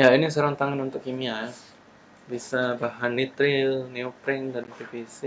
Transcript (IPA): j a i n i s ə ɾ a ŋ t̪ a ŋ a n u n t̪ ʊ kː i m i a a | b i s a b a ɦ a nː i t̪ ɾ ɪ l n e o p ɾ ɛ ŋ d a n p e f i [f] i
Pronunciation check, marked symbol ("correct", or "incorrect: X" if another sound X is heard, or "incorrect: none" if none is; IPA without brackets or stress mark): incorrect: s